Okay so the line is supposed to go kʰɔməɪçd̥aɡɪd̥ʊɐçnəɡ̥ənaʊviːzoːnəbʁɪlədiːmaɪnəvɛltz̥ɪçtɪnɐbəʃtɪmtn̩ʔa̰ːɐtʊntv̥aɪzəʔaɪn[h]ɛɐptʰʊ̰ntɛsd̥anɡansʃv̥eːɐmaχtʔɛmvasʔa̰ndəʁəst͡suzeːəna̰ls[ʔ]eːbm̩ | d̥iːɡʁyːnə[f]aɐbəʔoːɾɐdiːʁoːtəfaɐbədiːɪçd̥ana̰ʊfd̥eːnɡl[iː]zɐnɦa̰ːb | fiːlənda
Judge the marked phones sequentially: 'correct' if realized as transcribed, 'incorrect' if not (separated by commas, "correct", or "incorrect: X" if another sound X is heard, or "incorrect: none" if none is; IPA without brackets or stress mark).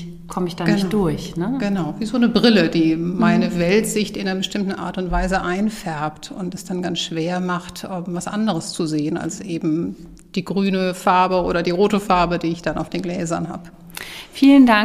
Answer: incorrect: f, correct, correct, incorrect: ɛː